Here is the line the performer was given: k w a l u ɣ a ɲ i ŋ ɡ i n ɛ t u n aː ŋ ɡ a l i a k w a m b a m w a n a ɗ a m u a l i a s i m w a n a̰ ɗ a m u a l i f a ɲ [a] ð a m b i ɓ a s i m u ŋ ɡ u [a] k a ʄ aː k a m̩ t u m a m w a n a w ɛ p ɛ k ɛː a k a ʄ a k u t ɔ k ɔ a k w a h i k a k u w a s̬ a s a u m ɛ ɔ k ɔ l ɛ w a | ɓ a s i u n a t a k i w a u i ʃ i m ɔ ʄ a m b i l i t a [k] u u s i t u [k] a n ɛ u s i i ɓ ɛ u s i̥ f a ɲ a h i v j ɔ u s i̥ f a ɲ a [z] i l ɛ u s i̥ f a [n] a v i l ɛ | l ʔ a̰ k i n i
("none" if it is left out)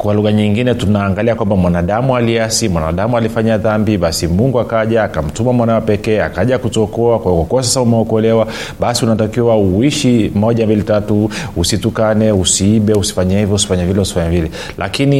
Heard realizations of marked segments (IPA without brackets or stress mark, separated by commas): a, a, t, k, v, ɲ